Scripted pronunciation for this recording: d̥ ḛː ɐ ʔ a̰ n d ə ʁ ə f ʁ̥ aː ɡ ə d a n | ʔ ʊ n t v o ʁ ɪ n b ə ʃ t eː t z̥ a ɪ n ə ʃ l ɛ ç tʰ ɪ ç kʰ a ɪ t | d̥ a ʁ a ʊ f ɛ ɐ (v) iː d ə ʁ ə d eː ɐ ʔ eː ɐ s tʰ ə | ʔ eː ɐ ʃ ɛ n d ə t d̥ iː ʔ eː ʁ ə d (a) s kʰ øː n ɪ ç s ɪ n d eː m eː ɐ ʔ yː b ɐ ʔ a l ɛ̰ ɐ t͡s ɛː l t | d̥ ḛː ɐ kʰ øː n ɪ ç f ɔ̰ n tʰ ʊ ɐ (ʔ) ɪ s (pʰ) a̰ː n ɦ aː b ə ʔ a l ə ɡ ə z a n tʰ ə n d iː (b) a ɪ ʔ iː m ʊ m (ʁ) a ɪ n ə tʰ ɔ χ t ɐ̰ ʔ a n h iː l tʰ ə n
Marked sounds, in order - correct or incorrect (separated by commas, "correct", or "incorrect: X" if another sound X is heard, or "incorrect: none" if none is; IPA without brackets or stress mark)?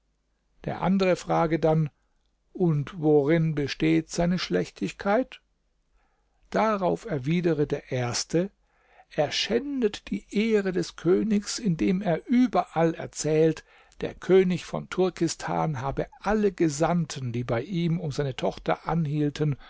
correct, incorrect: ɛ, incorrect: k, incorrect: tʰ, correct, incorrect: z